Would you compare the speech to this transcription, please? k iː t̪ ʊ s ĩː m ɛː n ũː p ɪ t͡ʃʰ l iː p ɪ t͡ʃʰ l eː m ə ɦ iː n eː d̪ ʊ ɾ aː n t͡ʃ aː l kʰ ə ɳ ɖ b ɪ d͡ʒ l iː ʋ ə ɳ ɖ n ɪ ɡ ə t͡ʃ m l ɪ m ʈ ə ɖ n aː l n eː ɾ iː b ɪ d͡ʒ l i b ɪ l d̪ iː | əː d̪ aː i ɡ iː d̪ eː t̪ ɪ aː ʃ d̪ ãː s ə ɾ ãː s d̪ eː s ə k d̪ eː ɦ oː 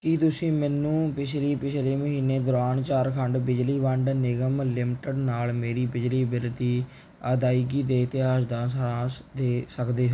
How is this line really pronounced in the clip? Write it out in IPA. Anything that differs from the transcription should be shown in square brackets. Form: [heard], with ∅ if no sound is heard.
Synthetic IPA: k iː t̪ ʊ s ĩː m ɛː n ũː p ɪ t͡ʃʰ l iː p ɪ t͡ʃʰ l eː m ə ɦ iː n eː d̪ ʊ ɾ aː n t͡ʃ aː [ɾ] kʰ ə ɳ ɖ b ɪ d͡ʒ l iː ʋ ə ɳ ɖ n ɪ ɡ ə [∅] m l ɪ m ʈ ə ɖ n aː l [m] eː ɾ iː b ɪ d͡ʒ l [iː] b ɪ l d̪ iː | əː d̪ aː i ɡ iː d̪ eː t̪ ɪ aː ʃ d̪ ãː s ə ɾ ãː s d̪ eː s ə k d̪ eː ɦ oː

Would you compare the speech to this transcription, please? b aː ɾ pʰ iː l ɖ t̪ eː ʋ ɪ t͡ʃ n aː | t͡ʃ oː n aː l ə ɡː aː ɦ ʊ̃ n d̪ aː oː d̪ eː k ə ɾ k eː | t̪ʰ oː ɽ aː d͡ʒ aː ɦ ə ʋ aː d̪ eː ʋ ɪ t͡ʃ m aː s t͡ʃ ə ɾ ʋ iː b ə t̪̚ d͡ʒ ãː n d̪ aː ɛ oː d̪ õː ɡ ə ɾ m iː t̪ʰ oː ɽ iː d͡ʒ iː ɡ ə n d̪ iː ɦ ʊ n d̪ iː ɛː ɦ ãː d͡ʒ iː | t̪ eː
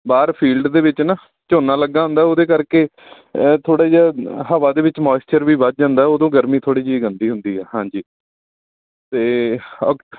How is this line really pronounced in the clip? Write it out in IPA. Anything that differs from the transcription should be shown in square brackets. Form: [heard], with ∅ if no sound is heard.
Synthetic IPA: b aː ɾ pʰ iː l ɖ [d̪] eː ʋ ɪ t͡ʃ n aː | t͡ʃ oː n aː l ə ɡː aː ɦ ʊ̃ n d̪ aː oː d̪ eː k ə ɾ k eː | t̪ʰ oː ɽ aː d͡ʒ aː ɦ ə ʋ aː d̪ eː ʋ ɪ t͡ʃ m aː s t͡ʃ ə ɾ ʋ iː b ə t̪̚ d͡ʒ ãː n d̪ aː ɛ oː d̪ õː ɡ ə ɾ m iː t̪ʰ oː ɽ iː d͡ʒ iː ɡ ə n d̪ iː ɦ ʊ n d̪ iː ɛː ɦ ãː d͡ʒ iː | t̪ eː

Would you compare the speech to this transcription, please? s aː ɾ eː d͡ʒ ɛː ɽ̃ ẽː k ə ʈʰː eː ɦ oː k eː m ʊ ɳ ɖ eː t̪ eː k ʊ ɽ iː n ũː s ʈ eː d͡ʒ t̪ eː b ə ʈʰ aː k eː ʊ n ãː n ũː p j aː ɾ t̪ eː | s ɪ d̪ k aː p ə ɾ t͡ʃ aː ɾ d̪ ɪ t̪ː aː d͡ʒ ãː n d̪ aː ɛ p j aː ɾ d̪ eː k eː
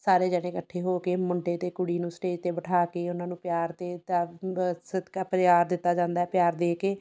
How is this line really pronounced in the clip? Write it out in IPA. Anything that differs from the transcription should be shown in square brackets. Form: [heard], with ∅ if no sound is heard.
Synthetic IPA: s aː ɾ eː d͡ʒ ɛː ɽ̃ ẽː k ə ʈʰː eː ɦ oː k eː m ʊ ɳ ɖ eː t̪ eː k ʊ ɽ iː n ũː s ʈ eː d͡ʒ t̪ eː b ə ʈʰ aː k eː ʊ n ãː n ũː p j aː ɾ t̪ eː | s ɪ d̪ k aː p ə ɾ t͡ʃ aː ɾ d̪ ɪ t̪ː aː d͡ʒ ãː n d̪ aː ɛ p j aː ɾ d̪ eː k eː

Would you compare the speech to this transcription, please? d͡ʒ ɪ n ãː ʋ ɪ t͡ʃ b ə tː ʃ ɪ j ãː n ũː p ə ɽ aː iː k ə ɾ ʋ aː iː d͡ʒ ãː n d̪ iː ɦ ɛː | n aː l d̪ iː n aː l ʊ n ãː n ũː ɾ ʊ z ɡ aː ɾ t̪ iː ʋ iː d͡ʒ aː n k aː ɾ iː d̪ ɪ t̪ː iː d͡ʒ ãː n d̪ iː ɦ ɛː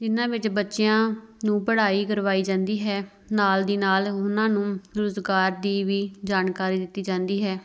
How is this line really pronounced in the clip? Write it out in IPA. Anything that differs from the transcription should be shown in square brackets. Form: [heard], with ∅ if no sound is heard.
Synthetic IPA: d͡ʒ ɪ n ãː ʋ ɪ t͡ʃ b ə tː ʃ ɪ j ãː n ũː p ə ɽ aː iː k ə ɾ ʋ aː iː d͡ʒ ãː n d̪ iː ɦ ɛː | n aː l d̪ iː n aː l ʊ n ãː n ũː ɾ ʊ z ɡ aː ɾ [d̪] iː ʋ iː d͡ʒ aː n k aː ɾ iː d̪ ɪ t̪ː iː d͡ʒ ãː n d̪ iː ɦ ɛː

